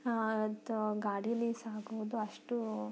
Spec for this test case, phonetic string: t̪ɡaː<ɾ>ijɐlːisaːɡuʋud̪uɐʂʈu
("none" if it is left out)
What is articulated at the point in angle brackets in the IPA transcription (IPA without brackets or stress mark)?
ɽ